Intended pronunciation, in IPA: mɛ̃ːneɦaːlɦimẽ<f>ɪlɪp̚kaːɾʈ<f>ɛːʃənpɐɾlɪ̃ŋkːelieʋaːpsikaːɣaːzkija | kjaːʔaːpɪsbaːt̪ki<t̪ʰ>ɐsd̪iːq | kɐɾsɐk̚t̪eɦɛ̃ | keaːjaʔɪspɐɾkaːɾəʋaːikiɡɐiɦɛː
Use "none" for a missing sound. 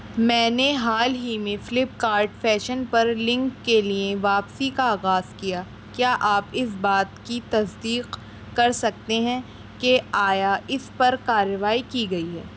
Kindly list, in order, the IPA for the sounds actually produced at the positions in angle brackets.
f, f, t̪

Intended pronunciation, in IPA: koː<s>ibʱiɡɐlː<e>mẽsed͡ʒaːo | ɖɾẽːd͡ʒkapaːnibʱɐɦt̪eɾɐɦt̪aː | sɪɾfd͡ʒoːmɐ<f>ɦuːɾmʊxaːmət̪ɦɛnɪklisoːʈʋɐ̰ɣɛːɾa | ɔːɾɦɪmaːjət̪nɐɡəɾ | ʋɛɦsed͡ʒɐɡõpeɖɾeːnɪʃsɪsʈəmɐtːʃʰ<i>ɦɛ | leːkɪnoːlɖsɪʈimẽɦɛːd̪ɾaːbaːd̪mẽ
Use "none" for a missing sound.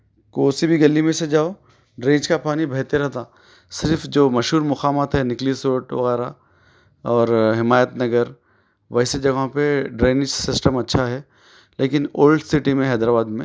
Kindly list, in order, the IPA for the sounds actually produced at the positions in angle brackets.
s, i, ʃ, a

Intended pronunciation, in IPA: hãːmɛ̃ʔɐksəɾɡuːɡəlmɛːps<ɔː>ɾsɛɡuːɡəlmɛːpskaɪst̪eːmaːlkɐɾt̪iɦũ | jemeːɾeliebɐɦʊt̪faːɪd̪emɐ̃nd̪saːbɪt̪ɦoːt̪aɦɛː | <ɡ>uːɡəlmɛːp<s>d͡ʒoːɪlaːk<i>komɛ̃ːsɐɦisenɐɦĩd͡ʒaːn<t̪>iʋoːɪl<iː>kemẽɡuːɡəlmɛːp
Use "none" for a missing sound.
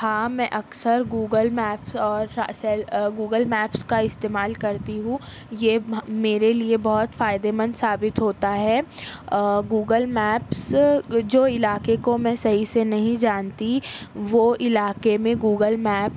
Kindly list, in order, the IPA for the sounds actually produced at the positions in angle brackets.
ɔː, ɡ, s, e, t̪, aː

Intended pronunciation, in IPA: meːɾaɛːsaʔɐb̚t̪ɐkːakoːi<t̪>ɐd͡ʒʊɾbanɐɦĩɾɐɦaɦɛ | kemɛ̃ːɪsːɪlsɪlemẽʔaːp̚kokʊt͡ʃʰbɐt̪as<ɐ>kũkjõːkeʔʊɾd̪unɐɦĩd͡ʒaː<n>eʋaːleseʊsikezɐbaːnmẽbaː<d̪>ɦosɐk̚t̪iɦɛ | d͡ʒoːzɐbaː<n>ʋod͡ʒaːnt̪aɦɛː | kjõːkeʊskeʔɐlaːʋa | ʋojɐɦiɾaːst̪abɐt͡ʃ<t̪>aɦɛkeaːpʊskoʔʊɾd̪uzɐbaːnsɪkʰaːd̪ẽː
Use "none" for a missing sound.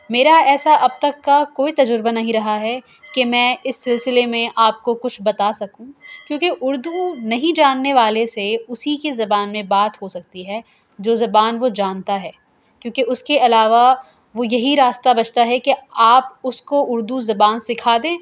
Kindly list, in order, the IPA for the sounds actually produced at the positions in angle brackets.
t̪, ɐ, nː, t̪, n, t̪

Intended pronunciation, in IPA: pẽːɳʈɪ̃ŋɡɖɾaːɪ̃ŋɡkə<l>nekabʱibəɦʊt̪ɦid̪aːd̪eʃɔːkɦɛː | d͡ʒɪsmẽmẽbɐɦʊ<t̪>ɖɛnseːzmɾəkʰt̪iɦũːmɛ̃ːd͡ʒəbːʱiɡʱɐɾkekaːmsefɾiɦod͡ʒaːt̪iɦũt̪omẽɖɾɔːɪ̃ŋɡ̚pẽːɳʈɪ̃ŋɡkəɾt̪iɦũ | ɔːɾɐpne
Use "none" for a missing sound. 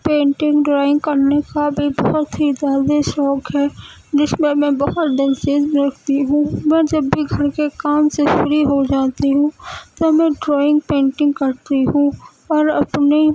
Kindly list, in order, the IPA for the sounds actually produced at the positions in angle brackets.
ɾ, t̪

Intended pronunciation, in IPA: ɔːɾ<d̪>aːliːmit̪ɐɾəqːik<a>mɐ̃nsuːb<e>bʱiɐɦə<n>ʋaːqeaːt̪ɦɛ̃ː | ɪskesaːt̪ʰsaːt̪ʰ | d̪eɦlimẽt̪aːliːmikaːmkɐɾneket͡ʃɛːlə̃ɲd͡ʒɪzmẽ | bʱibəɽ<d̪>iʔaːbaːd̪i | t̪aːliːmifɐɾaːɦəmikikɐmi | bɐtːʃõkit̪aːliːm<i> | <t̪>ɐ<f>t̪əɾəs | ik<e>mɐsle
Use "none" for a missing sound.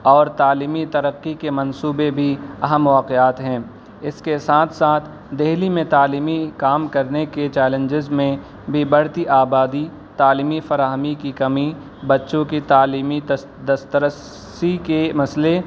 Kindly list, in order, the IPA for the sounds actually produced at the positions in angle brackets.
t̪, e, e, m, t̪, i, d̪, s, e

